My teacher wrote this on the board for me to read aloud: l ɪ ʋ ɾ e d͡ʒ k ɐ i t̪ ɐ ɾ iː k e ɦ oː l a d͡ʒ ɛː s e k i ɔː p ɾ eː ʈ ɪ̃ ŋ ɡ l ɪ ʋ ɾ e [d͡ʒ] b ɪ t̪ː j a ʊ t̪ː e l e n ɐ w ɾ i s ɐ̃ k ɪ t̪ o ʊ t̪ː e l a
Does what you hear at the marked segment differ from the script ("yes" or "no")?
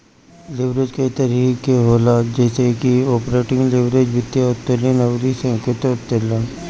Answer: no